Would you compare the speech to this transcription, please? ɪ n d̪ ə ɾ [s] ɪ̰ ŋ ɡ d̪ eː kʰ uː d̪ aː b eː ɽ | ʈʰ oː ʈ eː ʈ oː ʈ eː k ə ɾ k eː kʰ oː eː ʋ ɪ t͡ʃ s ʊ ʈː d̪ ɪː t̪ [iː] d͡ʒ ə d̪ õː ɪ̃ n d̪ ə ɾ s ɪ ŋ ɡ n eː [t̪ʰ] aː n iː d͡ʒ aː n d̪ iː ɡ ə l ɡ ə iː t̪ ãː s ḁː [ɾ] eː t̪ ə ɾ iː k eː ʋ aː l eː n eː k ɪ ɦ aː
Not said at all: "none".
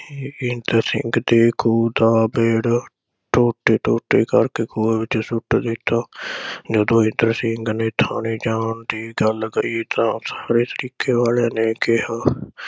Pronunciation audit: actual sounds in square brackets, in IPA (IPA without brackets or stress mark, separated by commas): s, aː, t̪ʰ, ɾ